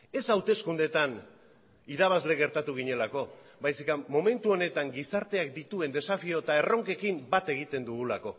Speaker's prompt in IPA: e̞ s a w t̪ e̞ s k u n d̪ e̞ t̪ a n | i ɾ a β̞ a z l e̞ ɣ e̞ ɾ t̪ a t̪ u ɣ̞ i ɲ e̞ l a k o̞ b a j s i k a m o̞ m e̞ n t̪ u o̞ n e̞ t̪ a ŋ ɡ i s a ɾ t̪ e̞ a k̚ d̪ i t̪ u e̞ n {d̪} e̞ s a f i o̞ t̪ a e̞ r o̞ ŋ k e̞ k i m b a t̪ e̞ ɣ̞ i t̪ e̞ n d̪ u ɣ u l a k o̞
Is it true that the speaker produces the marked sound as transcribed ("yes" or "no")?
yes